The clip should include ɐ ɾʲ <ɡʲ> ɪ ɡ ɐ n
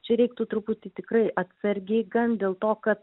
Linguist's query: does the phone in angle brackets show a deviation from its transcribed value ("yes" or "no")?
no